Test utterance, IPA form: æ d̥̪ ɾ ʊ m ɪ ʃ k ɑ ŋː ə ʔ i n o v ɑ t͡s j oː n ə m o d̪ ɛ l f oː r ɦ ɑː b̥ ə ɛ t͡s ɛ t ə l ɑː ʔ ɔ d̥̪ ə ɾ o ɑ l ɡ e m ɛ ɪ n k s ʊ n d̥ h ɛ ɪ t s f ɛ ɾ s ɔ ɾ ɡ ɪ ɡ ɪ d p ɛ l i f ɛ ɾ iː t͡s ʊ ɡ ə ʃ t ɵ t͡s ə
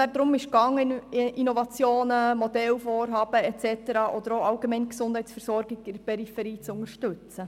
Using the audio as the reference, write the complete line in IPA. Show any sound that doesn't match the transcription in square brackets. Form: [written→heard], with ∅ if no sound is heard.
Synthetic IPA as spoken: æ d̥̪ ɾ ʊ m ɪ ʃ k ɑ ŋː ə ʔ i n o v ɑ t͡s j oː n ə m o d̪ ɛ l f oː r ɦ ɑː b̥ ə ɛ t͡s ɛ t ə [l→ɾ] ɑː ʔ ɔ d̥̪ ə ɾ o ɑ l ɡ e m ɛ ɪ n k s ʊ n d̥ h ɛ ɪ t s f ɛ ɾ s ɔ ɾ ɡ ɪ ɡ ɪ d p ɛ [l→ɾ] i f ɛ ɾ iː t͡s ʊ [ɡ→ŋ] ə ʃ t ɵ t͡s ə